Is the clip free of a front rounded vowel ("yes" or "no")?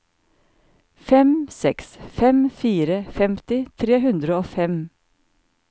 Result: yes